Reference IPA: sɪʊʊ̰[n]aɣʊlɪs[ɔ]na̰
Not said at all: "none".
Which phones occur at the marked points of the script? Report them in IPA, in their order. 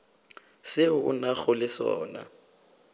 n, ɔː

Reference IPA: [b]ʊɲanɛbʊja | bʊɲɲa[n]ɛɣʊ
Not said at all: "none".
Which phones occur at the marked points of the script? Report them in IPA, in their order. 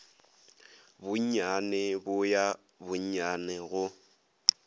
b, n

